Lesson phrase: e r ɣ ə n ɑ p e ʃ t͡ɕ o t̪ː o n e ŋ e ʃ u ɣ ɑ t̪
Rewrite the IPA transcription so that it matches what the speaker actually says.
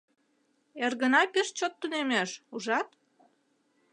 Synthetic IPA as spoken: e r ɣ ə n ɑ p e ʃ t͡ɕ o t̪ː u n e m e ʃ u ʒ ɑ t̪